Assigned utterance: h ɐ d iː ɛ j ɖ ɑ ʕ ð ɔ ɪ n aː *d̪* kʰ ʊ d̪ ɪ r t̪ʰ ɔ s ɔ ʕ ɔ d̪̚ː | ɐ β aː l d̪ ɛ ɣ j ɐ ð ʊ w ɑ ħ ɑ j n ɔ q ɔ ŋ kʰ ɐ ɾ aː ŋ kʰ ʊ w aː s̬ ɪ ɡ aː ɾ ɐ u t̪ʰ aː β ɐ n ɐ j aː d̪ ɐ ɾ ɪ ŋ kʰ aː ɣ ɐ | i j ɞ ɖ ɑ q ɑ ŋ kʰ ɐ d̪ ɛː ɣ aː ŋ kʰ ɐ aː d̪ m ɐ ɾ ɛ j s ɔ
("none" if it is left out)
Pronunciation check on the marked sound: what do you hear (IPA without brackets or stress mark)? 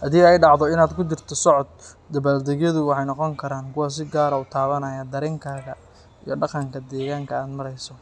d̪